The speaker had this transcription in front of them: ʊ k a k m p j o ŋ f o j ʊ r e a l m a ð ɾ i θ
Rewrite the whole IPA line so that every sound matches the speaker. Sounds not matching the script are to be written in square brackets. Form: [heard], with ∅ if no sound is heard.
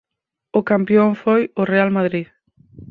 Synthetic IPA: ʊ k a [∅] m p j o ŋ f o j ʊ r e a l m a ð ɾ i [ð]